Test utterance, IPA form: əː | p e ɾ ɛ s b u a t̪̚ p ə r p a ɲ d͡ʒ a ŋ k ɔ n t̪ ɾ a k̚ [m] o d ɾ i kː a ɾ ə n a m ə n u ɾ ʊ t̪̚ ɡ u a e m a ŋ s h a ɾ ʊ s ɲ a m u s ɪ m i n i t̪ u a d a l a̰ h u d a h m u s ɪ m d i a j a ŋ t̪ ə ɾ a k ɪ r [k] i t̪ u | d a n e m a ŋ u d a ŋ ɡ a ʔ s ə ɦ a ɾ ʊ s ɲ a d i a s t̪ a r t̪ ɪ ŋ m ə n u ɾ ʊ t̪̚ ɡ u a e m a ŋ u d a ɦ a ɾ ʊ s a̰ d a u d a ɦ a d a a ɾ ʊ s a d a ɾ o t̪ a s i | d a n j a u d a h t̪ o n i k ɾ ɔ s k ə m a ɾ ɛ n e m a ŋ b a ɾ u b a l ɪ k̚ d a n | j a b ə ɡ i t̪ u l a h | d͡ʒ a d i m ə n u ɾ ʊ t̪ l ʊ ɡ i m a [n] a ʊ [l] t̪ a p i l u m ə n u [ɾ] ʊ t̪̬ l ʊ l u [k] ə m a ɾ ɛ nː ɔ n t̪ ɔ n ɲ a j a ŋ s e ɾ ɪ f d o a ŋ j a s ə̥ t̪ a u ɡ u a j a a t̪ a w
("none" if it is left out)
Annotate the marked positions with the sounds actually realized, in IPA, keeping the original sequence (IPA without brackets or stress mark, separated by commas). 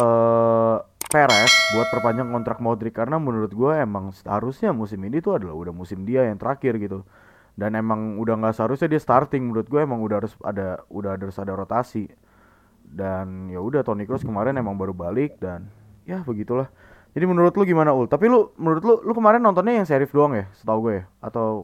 m, ɡ, n, l, ɾ, k